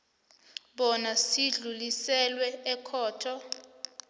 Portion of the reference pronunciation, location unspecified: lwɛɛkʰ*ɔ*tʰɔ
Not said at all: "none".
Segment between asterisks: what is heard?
ɔː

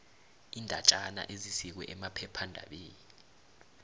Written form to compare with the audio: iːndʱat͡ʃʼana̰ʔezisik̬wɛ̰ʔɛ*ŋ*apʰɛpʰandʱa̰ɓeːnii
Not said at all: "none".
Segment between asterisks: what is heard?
m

